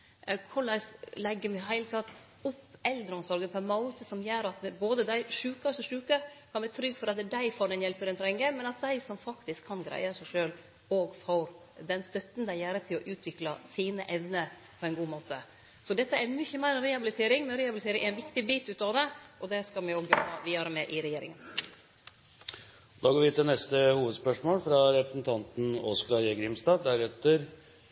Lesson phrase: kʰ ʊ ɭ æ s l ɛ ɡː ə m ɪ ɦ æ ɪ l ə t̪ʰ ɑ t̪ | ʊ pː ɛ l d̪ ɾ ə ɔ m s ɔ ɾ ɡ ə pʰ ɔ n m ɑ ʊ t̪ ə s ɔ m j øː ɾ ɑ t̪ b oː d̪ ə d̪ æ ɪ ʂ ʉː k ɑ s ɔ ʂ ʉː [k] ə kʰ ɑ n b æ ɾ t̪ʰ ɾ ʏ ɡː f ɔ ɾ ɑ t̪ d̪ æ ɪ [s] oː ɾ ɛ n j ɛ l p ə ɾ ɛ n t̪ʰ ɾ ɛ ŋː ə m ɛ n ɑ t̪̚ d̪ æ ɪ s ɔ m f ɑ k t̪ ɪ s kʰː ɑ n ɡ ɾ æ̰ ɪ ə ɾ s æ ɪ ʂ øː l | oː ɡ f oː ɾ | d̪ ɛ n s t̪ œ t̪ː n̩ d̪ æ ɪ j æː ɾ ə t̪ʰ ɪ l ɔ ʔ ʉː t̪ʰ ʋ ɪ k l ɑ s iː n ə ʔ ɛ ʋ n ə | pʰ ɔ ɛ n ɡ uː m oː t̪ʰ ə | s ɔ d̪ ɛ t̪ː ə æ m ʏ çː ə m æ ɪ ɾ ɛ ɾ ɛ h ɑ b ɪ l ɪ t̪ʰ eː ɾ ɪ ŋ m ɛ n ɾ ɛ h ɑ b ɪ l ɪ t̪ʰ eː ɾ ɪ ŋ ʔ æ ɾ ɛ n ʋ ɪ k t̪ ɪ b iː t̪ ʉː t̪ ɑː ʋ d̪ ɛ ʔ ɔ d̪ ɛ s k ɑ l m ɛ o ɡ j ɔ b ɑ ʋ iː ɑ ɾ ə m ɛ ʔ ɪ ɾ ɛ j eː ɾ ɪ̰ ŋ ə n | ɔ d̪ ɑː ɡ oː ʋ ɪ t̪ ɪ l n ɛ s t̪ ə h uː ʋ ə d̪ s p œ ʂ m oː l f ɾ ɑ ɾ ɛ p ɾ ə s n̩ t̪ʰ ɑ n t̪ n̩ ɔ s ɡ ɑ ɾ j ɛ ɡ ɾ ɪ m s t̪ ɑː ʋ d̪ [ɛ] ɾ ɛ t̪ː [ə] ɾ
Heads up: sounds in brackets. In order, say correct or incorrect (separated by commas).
correct, incorrect, incorrect, correct